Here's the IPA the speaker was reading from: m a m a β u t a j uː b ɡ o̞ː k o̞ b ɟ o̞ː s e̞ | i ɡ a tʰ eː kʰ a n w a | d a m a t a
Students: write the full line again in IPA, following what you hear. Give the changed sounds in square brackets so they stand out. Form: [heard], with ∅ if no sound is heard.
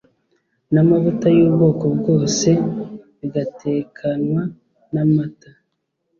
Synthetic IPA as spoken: [n] a m a β u t a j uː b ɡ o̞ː k o̞ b [ɡ] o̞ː s e̞ | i ɡ a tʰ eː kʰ a n w a | [n] a m a t a